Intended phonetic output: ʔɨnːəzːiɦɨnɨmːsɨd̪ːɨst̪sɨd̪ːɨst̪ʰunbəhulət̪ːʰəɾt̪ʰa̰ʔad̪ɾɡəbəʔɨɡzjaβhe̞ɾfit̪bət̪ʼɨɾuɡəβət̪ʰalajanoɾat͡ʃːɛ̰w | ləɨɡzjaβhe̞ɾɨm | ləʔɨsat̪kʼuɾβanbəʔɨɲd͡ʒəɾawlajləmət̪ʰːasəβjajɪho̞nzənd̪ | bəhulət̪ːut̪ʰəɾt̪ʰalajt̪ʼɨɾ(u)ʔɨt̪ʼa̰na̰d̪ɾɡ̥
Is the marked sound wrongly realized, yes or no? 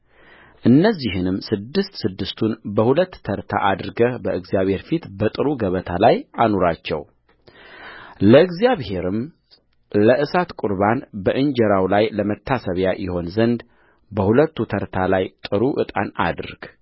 no